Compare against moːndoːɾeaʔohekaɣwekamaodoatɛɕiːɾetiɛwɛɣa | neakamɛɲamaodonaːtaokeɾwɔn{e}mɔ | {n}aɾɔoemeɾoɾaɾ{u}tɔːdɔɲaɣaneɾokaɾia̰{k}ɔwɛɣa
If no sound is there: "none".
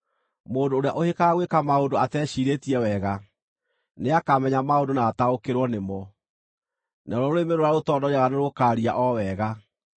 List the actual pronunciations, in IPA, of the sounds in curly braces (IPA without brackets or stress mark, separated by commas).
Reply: e, n, o, ʔ